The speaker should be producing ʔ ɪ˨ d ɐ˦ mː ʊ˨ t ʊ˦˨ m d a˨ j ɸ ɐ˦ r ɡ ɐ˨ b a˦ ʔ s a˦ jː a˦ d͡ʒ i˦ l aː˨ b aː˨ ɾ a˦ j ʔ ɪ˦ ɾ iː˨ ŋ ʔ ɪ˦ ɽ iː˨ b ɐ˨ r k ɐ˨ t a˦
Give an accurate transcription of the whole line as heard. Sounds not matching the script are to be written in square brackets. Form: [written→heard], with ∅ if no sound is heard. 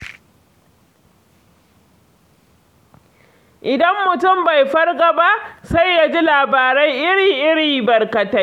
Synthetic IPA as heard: ʔ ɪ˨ d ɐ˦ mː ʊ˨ t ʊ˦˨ m [d→b] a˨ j ɸ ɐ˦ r ɡ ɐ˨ b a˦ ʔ s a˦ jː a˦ d͡ʒ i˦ l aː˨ b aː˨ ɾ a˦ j ʔ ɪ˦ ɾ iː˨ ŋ ʔ ɪ˦ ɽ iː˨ b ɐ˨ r k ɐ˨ t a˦